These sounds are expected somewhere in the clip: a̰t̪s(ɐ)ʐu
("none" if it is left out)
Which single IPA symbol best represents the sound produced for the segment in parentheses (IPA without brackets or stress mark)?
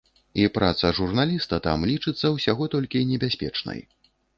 ɐ